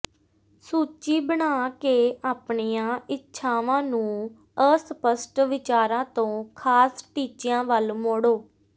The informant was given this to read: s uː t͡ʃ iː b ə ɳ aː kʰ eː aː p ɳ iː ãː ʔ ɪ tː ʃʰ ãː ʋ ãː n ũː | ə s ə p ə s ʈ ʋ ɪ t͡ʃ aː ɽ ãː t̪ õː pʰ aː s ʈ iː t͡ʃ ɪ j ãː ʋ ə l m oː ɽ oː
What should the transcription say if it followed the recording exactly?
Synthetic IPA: s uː t͡ʃ iː b ə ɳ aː k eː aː p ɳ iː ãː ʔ ɪ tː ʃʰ aː ʋ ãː n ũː | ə s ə p ə s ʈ ʋ ɪ t͡ʃ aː ɾ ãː t̪ õː kʰ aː s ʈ iː t͡ʃ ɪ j ãː ʋ ə l m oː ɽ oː